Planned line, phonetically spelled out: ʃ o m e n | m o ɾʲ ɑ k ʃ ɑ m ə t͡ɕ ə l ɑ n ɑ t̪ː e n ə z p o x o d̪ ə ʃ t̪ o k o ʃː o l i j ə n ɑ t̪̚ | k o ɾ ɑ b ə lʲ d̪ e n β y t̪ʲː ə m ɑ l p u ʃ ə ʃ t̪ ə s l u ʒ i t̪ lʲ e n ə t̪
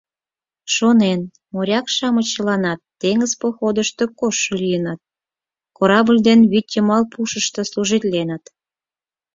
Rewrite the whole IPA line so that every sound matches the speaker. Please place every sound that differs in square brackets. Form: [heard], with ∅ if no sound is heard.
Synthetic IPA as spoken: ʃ o [n] e n | m o ɾʲ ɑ k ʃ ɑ m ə t͡ɕ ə l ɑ n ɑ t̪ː e [ŋ] ə z p o x o d̪ ə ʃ t̪ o k o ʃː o l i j ə n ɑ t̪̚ | k o ɾ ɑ b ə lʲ d̪ e n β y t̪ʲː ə m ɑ l p u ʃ ə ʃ t̪ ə s l u ʒ i t̪ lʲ e n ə t̪